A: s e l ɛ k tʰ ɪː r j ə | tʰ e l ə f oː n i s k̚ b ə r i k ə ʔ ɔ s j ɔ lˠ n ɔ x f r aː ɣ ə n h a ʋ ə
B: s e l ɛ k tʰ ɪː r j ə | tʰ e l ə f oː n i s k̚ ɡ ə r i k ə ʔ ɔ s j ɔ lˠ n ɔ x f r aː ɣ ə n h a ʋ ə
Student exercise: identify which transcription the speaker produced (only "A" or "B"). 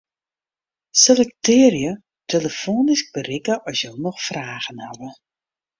A